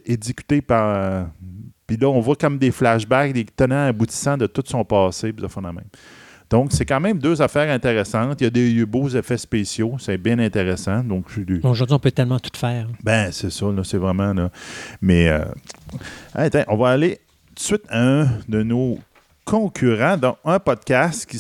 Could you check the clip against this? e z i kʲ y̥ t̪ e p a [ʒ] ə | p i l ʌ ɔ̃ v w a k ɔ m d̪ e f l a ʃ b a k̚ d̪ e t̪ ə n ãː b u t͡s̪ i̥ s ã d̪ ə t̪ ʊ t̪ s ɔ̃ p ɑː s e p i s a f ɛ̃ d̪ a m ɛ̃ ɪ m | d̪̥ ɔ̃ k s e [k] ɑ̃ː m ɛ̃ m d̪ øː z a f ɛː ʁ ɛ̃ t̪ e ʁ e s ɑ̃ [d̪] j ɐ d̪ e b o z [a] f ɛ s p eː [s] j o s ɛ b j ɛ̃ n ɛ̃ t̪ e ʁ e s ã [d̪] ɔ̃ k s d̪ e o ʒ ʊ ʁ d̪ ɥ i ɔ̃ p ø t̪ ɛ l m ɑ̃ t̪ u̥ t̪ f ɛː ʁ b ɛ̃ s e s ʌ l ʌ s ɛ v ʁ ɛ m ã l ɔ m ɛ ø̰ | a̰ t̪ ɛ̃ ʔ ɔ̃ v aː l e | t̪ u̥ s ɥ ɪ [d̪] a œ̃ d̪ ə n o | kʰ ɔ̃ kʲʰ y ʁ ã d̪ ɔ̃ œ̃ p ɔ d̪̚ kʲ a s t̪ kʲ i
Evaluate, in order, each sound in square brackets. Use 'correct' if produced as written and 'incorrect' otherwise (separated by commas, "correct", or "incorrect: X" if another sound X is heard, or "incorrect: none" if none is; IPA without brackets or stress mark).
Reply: incorrect: ʁ, correct, incorrect: t̪, incorrect: e, correct, correct, incorrect: t̪